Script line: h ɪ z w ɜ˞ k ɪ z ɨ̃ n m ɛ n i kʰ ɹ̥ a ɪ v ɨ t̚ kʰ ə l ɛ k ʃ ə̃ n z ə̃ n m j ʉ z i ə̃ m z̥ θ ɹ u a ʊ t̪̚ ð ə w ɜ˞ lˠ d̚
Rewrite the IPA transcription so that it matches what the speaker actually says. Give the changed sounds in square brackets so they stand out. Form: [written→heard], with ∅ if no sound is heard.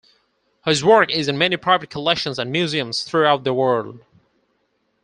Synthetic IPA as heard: h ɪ z w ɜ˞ k ɪ z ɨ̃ n m ɛ n i [kʰ→pʰ] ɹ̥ a ɪ v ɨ t̚ kʰ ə l ɛ k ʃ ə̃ n z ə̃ n m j ʉ z i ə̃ m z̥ θ ɹ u a ʊ t̪̚ ð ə w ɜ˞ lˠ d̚